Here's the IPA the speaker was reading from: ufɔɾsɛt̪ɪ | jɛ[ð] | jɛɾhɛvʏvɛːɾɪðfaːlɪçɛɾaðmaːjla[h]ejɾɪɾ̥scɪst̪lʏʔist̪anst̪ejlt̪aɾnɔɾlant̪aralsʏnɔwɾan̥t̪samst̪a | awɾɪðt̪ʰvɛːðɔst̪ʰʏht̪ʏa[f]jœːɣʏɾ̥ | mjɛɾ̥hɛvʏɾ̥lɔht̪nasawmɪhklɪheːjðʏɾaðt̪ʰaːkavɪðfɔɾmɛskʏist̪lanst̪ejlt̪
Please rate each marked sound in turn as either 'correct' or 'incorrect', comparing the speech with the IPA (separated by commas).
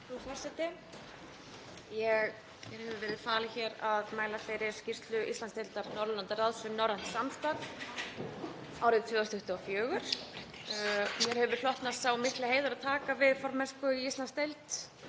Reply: incorrect, incorrect, correct